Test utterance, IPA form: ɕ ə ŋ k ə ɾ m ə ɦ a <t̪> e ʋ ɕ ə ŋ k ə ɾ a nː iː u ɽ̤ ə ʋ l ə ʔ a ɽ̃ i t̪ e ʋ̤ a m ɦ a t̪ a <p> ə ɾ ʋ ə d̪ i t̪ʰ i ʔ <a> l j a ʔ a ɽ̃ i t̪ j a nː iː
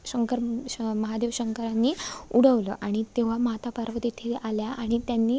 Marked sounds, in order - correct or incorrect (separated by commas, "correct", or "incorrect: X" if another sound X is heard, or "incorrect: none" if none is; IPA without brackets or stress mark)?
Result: incorrect: d̪, correct, correct